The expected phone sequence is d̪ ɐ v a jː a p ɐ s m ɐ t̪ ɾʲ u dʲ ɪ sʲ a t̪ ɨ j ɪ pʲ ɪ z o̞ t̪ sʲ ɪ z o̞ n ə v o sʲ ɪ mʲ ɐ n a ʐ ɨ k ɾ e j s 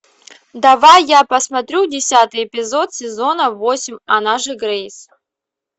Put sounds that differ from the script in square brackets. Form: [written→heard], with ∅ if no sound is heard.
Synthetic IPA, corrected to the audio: d̪ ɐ v a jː a p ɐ s m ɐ t̪ ɾʲ u dʲ ɪ sʲ a t̪ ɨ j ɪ pʲ ɪ z o̞ t̪ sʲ ɪ z o̞ n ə v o sʲ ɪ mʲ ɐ n a ʐ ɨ [k→ɡ] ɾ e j s

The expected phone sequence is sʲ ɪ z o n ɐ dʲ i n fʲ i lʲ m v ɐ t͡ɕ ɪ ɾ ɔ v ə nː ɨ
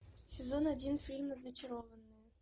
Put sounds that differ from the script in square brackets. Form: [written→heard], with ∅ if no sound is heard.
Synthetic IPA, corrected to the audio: sʲ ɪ z o n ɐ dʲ i n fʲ i lʲ m [v→z] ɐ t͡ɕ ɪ ɾ [ɔ→o] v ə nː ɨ

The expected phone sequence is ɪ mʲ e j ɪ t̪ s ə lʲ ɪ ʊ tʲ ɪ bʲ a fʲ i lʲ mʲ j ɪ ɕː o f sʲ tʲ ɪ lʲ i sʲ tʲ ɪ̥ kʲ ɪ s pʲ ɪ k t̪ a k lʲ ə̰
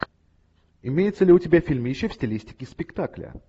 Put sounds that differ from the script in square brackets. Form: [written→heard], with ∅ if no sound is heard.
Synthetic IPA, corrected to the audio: ɪ mʲ e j ɪ t̪ s ə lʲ ɪ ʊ tʲ ɪ bʲ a fʲ i lʲ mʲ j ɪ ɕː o f sʲ tʲ ɪ lʲ i sʲ tʲ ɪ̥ kʲ ɪ s pʲ ɪ k t̪ a k lʲ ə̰

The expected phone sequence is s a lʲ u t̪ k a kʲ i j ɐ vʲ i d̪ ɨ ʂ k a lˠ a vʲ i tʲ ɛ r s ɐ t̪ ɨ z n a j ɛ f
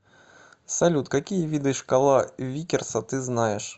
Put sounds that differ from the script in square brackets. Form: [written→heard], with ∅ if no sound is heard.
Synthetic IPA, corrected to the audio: s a lʲ u t̪ k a kʲ i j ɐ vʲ i d̪ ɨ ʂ k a lˠ a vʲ i [tʲ→kʲ] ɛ r s ɐ t̪ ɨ z n a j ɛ [f→ʂ]

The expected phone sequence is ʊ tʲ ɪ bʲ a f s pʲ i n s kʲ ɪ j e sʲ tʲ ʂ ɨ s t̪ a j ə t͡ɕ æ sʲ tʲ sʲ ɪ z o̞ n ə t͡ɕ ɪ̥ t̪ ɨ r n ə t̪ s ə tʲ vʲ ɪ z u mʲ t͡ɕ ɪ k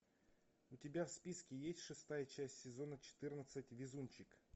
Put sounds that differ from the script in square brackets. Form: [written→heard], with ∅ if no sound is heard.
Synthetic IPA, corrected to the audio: ʊ tʲ ɪ bʲ a f s pʲ i [n→∅] s kʲ ɪ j e sʲ tʲ ʂ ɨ s t̪ a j ə t͡ɕ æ sʲ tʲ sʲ ɪ z o̞ n ə t͡ɕ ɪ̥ t̪ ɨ r n ə t̪ s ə tʲ vʲ ɪ z u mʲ t͡ɕ ɪ k

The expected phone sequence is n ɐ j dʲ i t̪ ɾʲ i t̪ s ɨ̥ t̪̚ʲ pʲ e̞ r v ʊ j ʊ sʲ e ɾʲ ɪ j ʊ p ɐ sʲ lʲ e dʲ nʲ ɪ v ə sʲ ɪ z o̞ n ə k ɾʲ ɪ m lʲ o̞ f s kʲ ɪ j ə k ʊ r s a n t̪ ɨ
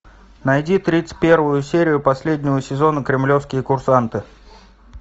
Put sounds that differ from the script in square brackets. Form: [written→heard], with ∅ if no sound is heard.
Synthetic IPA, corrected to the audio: n ɐ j dʲ i t̪ ɾʲ i t̪ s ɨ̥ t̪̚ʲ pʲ e̞ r v ʊ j ʊ sʲ e ɾʲ ɪ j ʊ p ɐ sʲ lʲ e dʲ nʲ ɪ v ə sʲ ɪ z o̞ n ə k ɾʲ ɪ m lʲ o̞ f s kʲ ɪ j ə k ʊ r s a n t̪ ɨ

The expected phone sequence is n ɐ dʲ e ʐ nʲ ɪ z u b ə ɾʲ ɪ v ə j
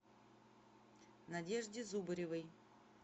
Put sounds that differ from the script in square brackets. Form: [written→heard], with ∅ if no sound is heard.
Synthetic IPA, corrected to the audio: n ɐ dʲ e ʐ [nʲ→dʲ] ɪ z u b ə ɾʲ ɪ v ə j

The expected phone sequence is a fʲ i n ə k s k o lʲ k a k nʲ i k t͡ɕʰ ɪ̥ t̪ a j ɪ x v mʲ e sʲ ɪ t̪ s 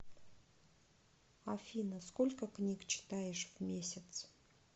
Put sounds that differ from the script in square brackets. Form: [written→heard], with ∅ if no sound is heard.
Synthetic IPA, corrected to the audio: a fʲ i n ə [k→∅] s k o lʲ k [a→ə] k nʲ i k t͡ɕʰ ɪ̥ t̪ a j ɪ [x→ʂ] v mʲ e sʲ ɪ t̪ s

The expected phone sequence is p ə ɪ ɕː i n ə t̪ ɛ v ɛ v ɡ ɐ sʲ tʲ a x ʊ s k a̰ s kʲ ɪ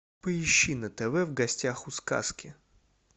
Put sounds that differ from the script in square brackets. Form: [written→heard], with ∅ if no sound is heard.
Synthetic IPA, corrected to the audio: p ə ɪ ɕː i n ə t̪ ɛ v ɛ v ɡ ɐ sʲ tʲ a x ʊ s k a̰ s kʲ ɪ

